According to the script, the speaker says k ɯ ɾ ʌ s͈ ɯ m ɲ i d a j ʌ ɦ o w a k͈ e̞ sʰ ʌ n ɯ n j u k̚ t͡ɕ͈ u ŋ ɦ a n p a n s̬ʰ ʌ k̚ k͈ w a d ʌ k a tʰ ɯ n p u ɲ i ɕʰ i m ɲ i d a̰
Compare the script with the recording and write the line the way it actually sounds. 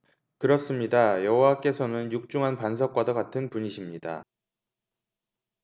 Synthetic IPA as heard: k ɯ ɾ ʌ s͈ ɯ m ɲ i d a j ʌ ɦ o w a k͈ e̞ sʰ ʌ n ɯ n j u k̚ t͡ɕ͈ u ŋ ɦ a n p a n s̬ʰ ʌ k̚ k͈ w a d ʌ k a tʰ ɯ n p u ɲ i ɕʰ i m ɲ i d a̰